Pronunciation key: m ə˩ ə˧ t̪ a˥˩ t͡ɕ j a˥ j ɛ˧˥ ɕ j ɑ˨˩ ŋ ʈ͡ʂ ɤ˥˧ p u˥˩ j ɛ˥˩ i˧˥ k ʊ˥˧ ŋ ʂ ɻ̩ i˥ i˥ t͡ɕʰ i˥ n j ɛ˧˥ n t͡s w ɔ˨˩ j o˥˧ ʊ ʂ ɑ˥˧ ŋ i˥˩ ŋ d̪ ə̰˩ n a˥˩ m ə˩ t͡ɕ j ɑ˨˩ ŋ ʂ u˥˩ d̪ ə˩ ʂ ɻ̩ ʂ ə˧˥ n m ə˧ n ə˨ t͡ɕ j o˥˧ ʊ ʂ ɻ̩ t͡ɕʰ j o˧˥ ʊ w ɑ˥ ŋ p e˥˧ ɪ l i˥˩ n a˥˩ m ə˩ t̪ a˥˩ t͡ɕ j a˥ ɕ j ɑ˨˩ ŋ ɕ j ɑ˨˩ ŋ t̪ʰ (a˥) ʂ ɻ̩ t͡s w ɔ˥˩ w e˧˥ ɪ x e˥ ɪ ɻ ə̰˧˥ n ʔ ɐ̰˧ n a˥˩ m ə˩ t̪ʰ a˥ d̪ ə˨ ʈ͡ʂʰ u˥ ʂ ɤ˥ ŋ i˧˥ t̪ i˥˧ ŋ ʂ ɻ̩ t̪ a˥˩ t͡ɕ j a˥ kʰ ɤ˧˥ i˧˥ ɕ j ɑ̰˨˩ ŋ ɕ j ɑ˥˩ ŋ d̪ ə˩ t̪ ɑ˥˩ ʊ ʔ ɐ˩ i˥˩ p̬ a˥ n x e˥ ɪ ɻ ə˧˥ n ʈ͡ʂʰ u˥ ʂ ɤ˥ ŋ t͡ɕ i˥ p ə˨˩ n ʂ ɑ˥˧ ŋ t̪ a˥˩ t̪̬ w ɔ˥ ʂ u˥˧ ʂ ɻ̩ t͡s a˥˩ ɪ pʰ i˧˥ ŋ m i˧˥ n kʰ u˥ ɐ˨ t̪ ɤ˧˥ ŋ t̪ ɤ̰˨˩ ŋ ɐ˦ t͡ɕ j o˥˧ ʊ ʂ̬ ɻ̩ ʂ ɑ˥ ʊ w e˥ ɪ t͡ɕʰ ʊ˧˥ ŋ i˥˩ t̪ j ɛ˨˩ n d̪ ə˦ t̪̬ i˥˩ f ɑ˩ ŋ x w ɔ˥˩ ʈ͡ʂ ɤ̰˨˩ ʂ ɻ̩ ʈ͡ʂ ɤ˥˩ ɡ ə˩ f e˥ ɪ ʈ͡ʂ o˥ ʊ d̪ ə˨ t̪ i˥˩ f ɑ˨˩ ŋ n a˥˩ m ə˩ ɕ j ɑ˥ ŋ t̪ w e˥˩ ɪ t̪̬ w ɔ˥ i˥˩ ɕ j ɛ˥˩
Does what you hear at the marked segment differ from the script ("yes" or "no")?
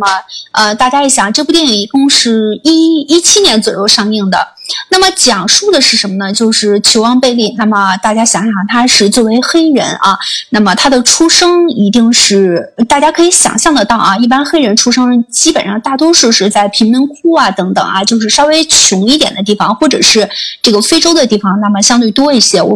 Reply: no